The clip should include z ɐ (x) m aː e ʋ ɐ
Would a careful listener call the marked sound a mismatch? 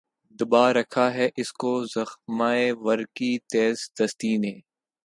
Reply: no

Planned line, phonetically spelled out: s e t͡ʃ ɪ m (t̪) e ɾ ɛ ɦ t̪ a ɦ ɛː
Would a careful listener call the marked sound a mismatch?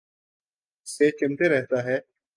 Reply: no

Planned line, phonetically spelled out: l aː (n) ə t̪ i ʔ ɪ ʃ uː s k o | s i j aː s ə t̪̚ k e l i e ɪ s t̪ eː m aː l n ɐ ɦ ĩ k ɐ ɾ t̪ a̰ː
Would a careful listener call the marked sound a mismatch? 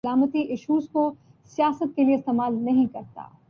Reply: yes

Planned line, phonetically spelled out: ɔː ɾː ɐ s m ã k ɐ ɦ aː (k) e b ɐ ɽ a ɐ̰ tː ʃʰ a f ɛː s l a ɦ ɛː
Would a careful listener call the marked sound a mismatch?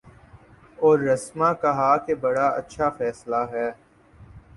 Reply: no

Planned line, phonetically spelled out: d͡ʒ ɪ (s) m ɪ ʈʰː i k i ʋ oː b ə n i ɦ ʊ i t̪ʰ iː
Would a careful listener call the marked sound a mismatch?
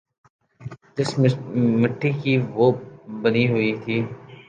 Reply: no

